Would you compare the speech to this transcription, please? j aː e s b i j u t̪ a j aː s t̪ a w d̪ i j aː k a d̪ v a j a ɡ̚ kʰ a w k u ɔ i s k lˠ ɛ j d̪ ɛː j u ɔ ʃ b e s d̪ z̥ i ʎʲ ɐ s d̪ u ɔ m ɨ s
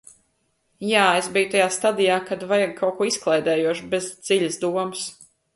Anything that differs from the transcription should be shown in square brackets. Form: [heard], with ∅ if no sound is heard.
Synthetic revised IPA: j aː e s b i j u t̪ a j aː s t̪ a [∅] d̪ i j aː k a d̪ v a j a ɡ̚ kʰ a w k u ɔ i s k lˠ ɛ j d̪ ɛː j u ɔ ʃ b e [z] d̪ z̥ i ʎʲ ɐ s d̪ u ɔ m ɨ s